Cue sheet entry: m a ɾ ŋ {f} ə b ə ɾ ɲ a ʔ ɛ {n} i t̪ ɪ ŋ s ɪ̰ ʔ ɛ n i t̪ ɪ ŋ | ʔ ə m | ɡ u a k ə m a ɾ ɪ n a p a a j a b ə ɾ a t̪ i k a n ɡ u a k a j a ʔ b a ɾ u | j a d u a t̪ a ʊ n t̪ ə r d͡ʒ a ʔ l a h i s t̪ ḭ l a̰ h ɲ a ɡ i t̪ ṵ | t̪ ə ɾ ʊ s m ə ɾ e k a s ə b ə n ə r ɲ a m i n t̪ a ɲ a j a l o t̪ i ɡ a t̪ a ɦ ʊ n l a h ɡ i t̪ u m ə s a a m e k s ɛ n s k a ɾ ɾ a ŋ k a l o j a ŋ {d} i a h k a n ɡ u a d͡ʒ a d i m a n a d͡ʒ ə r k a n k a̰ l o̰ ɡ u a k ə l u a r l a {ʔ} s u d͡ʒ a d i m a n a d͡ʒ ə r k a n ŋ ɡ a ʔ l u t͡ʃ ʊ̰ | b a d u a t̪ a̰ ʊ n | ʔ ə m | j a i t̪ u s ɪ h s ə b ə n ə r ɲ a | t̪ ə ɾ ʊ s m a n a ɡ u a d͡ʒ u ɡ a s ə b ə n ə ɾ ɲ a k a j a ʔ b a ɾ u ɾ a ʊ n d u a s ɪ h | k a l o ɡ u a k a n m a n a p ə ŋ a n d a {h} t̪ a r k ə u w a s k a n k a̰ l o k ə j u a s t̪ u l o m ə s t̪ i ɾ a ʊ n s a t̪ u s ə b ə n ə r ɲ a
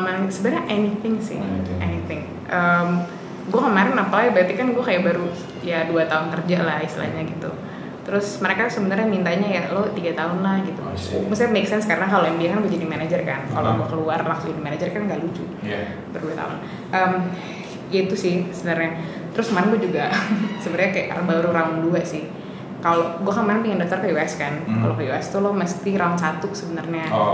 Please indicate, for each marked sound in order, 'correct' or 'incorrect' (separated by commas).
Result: incorrect, correct, incorrect, incorrect, incorrect